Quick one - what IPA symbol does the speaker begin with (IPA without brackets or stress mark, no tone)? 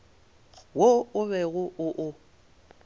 w